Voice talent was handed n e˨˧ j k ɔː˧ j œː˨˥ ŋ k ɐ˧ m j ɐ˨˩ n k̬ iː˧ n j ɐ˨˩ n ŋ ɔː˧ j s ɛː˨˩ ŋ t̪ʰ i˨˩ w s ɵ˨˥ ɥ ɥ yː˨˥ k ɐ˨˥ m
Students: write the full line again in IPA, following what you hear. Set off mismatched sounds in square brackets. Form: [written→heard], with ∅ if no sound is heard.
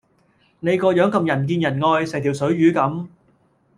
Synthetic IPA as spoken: n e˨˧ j k ɔː˧ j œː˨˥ ŋ k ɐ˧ m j ɐ˨˩ n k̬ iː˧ n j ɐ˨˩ n ŋ ɔː˧ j s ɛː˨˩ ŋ t̪ʰ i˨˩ w s ɵ˨˥ ɥ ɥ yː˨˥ k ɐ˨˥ m